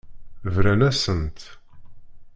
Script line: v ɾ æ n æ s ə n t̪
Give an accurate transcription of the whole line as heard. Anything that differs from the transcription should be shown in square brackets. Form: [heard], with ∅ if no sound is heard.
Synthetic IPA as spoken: v ɾ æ n æ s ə n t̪